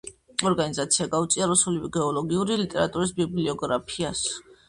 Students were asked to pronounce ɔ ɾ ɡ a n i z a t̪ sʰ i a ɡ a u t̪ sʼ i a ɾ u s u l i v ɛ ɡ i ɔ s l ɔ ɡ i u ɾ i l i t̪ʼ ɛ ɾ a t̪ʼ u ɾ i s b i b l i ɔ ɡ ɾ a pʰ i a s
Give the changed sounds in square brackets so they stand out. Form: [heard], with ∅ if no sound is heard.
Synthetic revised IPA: ɔ ɾ ɡ a n i z a t̪ sʰ i a ɡ a u t̪ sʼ i a ɾ u s u l i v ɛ ɡ [ɛ] ɔ [∅] l ɔ ɡ i u ɾ i l i t̪ʼ ɛ ɾ a t̪ʼ u ɾ i s b i b l i ɔ ɡ ɾ a pʰ i a s

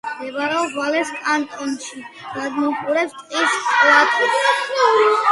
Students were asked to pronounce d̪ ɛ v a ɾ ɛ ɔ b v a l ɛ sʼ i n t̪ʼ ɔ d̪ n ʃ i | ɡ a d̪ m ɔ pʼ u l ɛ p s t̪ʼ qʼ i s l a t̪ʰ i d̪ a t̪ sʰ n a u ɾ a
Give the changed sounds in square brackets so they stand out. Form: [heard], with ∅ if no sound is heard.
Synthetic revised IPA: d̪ ɛ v a ɾ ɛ ɔ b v a l ɛ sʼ [a] n t̪ʼ ɔ [∅] n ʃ i | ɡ a d̪ m ɔ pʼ u [ɾ] ɛ p s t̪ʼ qʼ i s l a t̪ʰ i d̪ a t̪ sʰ n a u ɾ [i]

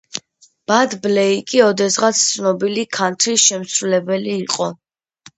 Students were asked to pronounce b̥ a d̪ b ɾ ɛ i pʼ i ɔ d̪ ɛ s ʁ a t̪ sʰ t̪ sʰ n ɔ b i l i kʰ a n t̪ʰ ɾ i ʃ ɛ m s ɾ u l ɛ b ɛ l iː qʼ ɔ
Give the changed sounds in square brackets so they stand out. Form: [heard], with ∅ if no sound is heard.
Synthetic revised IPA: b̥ a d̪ b [l] ɛ i [kʼ] i ɔ d̪ ɛ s ʁ a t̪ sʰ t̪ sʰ n ɔ b i l i kʰ a n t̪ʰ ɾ i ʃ ɛ m s ɾ u l ɛ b ɛ l iː qʼ ɔ

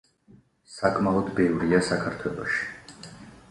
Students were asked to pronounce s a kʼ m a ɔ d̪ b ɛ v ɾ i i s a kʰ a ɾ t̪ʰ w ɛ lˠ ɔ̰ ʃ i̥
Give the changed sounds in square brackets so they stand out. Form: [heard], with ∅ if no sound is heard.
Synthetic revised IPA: s a kʼ m a ɔ d̪ b ɛ v ɾ i [a] s a kʰ a ɾ t̪ʰ w ɛ lˠ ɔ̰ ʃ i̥

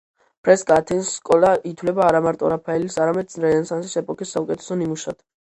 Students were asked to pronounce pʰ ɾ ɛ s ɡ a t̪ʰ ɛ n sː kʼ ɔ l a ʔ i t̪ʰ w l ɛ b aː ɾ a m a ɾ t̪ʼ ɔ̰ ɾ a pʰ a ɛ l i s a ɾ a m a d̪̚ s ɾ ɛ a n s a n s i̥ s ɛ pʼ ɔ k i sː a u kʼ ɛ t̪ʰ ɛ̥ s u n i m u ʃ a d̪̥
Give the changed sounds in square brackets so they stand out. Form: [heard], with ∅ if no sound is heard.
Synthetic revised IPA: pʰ ɾ ɛ s ɡ a t̪ʰ ɛ n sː kʼ ɔ l a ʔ i t̪ʰ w l ɛ b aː ɾ a m a ɾ t̪ʼ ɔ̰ ɾ a pʰ a ɛ l i s a ɾ a m [ɛ] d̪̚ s ɾ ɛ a n s a n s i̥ s ɛ pʼ ɔ k i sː a u kʼ ɛ t̪ʰ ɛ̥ s [ɔ] n i m u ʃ a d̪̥

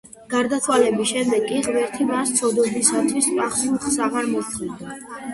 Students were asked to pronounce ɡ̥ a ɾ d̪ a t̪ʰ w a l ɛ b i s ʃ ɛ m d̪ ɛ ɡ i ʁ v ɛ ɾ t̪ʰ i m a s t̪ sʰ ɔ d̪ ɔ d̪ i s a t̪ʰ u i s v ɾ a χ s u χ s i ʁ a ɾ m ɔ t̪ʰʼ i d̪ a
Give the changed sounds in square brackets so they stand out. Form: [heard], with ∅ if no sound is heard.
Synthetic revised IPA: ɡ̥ a ɾ d̪ a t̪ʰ w a l ɛ b i s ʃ ɛ m d̪ ɛ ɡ i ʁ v ɛ ɾ t̪ʰ i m a s t̪ sʰ ɔ d̪ ɔ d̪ i s a t̪ʰ [w] i s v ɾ a χ s u χ s [a] ʁ a ɾ m ɔ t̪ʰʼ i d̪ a

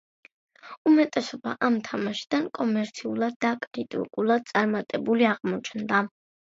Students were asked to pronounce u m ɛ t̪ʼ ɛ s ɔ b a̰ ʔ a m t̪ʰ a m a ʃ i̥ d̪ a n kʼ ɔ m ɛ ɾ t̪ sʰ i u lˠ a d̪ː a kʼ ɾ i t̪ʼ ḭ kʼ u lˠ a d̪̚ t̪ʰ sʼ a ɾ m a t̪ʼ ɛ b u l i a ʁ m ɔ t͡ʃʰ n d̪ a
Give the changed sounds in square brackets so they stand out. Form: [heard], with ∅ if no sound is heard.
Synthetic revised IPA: u m ɛ t̪ʼ ɛ s ɔ b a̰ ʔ a m t̪ʰ a m a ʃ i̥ d̪ a n kʼ ɔ m ɛ ɾ t̪ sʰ i u lˠ a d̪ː a kʼ ɾ i t̪ʼ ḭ kʼ u lˠ a d̪̚ [t̪] sʼ a ɾ m a t̪ʼ ɛ b u l i a ʁ m ɔ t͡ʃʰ n d̪ a

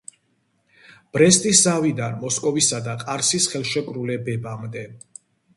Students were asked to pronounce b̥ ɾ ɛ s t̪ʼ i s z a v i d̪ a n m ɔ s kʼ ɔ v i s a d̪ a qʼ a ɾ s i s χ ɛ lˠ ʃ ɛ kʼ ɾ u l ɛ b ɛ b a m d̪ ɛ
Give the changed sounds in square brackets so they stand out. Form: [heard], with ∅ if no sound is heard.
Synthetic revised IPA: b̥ ɾ ɛ s t̪ʼ i s z a v i d̪ a n m ɔ s kʼ ɔ v i s a d̪ a qʼ a ɾ s i s χ ɛ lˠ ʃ ɛ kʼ ɾ u l ɛ b ɛ b a m d̪ ɛ

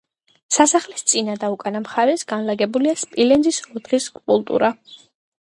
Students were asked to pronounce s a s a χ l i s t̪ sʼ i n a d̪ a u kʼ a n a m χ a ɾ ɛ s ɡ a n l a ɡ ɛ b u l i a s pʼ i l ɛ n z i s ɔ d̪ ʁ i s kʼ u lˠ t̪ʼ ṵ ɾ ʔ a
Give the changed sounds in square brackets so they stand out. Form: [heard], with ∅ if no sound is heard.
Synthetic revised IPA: s a s a χ l i s t̪ sʼ i n a d̪ a u kʼ a n a m χ a ɾ ɛ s ɡ a n l a ɡ ɛ b u l i a s pʼ i l ɛ n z i s ɔ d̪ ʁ i s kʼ u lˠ t̪ʼ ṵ ɾ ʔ a

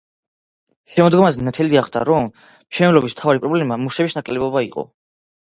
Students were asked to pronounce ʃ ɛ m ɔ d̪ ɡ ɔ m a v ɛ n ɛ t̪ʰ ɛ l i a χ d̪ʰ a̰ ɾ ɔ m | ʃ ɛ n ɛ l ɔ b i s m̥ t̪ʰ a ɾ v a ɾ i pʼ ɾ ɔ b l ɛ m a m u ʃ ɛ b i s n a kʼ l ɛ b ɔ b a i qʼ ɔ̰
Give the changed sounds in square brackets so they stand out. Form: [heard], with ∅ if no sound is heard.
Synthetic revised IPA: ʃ ɛ m ɔ d̪ ɡ ɔ m a [z] ɛ n [a] t̪ʰ ɛ l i a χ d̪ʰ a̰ ɾ ɔ m | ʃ ɛ n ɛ l ɔ b i s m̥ t̪ʰ a [∅] v a ɾ i pʼ ɾ ɔ b l ɛ m a m u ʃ ɛ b i s n a kʼ l ɛ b ɔ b a i qʼ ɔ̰

